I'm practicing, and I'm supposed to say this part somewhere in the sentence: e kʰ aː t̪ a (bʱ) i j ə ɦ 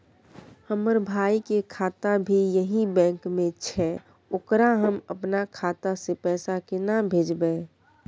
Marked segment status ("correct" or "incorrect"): correct